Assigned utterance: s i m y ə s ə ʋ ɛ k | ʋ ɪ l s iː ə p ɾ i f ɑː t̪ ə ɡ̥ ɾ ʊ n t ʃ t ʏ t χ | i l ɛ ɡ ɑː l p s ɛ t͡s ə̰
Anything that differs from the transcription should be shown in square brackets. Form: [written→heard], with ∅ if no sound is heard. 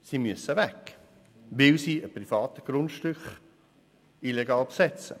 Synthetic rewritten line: s i m y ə s ə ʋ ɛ k | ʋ ɪ l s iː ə p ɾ i f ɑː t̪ ə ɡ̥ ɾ ʊ n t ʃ t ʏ [t→k] χ | i l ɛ ɡ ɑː l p s ɛ t͡s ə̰